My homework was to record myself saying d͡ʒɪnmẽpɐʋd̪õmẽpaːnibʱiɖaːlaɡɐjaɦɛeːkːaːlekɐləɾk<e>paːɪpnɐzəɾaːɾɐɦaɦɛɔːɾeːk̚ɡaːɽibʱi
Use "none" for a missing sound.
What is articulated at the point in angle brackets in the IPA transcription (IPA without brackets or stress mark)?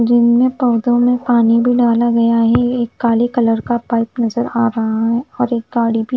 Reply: a